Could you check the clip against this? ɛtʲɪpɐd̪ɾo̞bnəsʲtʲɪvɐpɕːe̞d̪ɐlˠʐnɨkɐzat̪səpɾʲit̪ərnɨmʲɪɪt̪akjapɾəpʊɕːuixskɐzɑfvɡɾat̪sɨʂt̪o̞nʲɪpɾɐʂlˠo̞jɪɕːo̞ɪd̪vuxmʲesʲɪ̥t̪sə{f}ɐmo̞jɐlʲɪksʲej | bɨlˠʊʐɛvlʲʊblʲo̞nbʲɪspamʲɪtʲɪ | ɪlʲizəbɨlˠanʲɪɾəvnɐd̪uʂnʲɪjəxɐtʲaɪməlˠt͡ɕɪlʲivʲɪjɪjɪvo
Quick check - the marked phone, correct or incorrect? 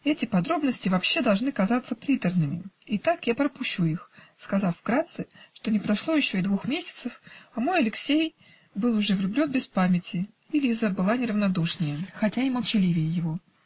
correct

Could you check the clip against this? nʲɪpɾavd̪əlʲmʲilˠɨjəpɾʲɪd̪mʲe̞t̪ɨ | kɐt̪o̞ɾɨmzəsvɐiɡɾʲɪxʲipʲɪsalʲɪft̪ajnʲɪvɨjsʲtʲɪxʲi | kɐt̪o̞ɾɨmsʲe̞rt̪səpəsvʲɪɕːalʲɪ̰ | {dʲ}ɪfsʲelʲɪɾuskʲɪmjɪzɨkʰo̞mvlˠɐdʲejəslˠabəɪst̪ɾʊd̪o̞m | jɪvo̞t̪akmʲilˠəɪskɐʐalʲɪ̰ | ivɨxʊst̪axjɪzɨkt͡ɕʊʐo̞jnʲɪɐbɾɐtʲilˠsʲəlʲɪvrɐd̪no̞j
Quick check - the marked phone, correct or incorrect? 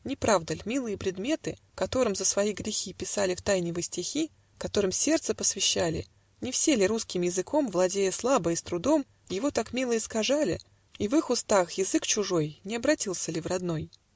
incorrect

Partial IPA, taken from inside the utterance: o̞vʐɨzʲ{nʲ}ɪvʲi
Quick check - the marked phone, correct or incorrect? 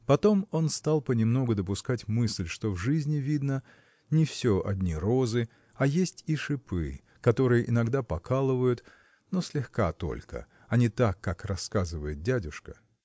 correct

